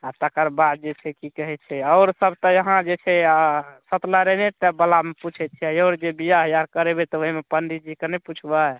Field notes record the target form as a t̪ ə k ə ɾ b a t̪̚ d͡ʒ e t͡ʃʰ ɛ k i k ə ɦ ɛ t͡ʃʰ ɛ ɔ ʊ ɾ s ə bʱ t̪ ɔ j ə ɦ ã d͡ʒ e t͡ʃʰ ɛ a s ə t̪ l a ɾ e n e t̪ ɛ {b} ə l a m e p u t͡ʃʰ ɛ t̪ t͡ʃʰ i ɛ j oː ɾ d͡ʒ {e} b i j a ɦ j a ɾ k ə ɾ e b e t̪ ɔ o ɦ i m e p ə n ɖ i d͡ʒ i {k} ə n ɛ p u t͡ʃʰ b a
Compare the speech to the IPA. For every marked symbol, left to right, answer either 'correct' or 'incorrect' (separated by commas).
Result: correct, correct, correct